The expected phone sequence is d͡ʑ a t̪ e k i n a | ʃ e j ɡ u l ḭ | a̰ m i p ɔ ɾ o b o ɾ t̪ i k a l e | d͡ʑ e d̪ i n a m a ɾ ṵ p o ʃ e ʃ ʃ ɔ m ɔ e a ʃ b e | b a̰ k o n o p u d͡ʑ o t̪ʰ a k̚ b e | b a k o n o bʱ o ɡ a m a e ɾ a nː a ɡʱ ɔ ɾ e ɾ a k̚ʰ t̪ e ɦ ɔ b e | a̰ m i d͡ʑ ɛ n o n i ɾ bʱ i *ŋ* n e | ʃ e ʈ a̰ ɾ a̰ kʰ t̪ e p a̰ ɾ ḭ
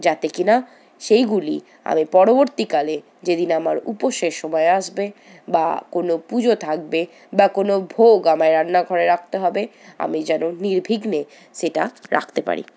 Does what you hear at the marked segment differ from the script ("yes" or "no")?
yes